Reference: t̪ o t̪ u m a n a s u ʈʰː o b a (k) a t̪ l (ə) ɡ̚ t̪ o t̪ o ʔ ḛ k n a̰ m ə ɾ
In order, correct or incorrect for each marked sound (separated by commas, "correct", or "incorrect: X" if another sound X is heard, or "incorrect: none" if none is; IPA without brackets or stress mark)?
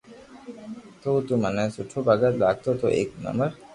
incorrect: ɡ, incorrect: a